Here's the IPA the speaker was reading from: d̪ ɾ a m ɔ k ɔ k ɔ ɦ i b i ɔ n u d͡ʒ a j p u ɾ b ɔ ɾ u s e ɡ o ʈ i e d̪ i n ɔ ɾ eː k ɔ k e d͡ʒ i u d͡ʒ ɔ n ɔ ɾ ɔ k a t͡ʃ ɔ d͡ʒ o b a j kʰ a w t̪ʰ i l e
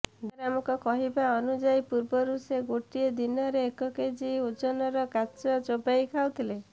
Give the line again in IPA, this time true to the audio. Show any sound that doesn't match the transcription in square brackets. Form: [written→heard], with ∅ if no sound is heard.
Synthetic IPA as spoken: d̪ ɾ a m ɔ k ɔ k ɔ ɦ i b [i→a] ɔ n u d͡ʒ a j p u ɾ b ɔ ɾ u s e ɡ o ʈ i e d̪ i n ɔ ɾ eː k ɔ k e d͡ʒ i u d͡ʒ ɔ n ɔ ɾ ɔ k a t͡ʃ ɔ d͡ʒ o b a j kʰ a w t̪ʰ i l e